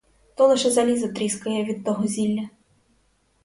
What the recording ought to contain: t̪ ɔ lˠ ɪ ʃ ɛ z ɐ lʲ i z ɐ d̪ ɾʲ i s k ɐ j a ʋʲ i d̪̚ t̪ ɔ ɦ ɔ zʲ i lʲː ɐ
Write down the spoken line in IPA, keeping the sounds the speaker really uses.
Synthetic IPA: t̪ ɔ lˠ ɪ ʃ ɛ z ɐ lʲ i z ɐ t̪ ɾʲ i s k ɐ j ɛ ʋʲ i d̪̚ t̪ ɔ ɦ ɔ zʲ i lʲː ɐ